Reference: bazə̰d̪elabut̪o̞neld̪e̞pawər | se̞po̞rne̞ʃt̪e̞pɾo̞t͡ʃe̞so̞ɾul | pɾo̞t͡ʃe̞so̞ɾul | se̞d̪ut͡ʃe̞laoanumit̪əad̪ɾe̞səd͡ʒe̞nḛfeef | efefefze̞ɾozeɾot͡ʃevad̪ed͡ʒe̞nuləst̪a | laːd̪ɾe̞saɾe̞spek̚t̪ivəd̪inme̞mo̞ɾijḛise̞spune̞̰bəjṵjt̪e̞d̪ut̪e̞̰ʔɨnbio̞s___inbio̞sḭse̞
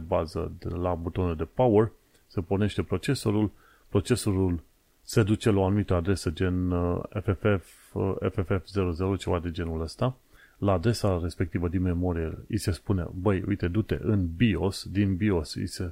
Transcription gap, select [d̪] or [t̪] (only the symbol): d̪